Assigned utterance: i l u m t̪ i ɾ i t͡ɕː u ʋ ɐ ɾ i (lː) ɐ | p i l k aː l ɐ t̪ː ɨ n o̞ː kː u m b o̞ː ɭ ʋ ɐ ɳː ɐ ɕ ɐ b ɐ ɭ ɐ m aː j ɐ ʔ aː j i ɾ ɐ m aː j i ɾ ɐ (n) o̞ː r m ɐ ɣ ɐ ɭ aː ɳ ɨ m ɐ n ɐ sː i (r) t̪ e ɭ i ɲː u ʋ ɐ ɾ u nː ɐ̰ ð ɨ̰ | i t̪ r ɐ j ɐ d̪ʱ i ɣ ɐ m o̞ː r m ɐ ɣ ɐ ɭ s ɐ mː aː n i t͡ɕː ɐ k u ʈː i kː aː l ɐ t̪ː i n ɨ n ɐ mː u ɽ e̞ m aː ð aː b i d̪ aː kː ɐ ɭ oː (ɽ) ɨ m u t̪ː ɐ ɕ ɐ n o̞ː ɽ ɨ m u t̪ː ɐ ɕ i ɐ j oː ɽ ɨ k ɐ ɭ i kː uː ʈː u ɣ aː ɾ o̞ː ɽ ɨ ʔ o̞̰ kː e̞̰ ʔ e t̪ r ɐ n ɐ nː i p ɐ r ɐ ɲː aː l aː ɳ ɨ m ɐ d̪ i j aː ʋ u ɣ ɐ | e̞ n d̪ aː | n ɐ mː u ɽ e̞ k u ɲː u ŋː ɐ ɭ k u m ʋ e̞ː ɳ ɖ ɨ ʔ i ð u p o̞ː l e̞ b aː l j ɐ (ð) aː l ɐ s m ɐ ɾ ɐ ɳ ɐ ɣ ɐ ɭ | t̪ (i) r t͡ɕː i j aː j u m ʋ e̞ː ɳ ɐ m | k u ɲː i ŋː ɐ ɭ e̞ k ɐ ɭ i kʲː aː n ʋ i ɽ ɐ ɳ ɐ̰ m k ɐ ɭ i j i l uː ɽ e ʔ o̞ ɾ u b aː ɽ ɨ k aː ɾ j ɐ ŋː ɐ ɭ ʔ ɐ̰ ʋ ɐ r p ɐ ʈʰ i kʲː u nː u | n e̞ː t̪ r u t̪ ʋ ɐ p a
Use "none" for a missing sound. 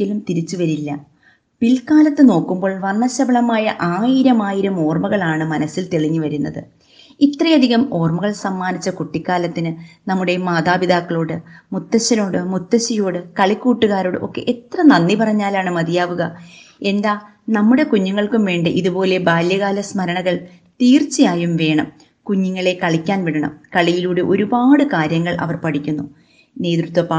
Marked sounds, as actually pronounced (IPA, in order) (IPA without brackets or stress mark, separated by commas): lː, m, l, ɽ, ɣ, iː